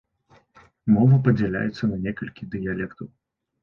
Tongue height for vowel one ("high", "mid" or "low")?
mid